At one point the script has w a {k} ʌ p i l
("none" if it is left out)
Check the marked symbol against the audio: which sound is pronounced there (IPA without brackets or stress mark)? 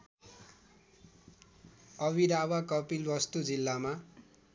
k